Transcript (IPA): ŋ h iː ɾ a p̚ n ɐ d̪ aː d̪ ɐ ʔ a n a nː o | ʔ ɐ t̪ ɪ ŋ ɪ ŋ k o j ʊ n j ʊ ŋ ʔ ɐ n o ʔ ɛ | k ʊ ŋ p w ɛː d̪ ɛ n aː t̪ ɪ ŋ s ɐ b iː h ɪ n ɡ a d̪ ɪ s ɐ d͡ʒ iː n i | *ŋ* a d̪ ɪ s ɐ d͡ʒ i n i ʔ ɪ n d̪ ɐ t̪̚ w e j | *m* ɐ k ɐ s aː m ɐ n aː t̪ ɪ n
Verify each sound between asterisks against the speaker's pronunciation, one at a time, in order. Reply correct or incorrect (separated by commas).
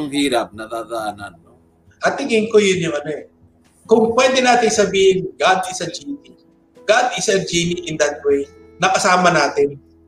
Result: incorrect, incorrect